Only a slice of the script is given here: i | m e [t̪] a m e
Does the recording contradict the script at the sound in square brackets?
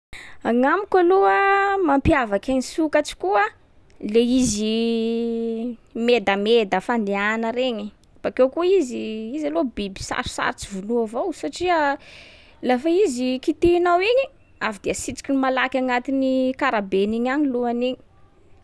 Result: yes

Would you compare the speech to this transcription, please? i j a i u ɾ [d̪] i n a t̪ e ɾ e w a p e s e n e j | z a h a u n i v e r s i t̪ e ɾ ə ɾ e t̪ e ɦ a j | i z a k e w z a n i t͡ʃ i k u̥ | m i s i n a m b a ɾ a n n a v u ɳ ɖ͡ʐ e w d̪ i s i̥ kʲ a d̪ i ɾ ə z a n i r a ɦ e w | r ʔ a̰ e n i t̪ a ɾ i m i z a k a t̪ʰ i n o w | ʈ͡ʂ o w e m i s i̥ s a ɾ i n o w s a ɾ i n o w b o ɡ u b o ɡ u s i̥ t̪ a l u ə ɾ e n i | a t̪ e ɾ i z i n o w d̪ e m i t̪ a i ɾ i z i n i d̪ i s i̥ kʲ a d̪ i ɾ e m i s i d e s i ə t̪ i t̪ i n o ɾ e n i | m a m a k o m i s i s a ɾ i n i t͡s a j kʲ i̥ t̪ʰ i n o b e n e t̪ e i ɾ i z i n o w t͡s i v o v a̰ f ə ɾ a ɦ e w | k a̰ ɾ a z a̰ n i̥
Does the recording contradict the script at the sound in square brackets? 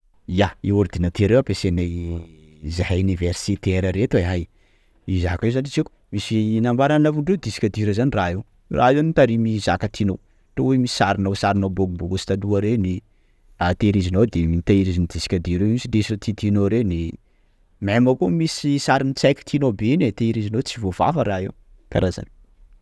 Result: no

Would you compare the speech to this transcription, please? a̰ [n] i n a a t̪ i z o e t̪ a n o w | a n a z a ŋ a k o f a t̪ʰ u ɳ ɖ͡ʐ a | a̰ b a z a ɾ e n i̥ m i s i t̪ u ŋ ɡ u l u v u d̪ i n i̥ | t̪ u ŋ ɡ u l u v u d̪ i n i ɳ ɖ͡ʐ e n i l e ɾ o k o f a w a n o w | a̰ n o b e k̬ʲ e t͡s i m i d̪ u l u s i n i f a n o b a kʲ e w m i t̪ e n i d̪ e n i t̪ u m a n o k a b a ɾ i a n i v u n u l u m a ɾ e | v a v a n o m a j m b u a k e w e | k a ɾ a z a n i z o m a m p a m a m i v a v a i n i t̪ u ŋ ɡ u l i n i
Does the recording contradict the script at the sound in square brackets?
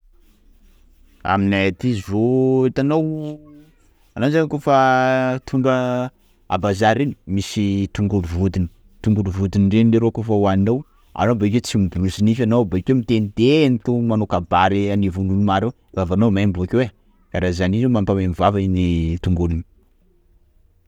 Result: yes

